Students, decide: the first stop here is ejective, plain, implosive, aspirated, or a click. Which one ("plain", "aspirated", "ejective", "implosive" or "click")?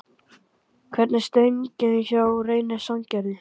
aspirated